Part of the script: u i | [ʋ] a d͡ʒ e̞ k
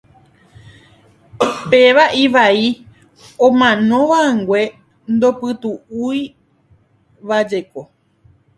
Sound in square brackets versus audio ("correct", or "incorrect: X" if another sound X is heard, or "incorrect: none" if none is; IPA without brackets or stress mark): correct